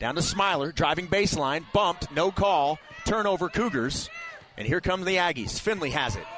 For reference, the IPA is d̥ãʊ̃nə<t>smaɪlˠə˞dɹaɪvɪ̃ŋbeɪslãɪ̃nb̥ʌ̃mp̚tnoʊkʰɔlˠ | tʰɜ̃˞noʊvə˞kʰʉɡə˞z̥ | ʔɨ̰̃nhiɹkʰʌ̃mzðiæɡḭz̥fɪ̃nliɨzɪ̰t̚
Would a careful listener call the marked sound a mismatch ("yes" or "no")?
yes